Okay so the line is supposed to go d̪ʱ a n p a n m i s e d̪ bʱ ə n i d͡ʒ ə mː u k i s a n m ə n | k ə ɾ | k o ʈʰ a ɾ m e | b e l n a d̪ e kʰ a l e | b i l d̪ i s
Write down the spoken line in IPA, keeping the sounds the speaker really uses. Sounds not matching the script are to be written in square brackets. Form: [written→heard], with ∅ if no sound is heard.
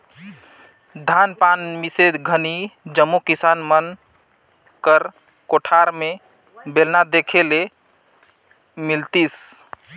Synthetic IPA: d̪ʱ a n p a n m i s e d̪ [bʱ→ɡʱ] ə n i d͡ʒ ə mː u k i s a n m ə n | k ə ɾ | k o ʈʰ a ɾ m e | b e l n a d̪ e kʰ [a→e] l e | [b→m] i l [d̪→t̪] i s